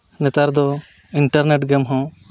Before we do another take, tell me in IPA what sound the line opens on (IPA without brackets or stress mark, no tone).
n